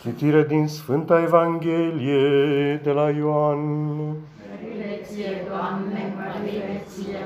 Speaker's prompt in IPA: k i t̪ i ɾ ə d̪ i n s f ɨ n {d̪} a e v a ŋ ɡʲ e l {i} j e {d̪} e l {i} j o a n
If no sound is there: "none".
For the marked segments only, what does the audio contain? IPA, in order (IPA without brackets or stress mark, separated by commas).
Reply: t̪, i, d̪, a